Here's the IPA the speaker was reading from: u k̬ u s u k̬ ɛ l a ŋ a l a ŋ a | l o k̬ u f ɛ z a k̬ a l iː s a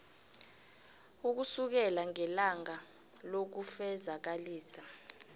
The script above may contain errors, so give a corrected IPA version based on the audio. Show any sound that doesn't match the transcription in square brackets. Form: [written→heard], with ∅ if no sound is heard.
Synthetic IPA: u k̬ u s u k̬ ɛ l a ŋ [a→ɛ] l a ŋ a | l o k̬ u f ɛ z a k̬ a l iː s a